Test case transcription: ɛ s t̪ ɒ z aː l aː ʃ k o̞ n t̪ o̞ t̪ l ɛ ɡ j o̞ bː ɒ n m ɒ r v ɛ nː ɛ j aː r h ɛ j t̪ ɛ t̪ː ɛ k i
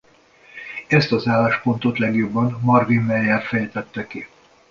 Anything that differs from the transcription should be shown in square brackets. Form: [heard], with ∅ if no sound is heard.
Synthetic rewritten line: ɛ s t̪ ɒ z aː l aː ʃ [p] o̞ n t̪ o̞ t̪ l ɛ ɡ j o̞ bː ɒ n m ɒ r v [i] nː ɛ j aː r [f] ɛ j t̪ ɛ t̪ː ɛ k i